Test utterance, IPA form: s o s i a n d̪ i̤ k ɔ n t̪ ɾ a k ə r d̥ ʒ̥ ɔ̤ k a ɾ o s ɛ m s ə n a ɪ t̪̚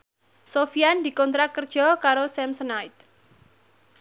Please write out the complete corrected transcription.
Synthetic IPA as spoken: s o f i a n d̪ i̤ k ɔ n t̪ ɾ a k ə r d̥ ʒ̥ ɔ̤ k a ɾ o s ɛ m s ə n a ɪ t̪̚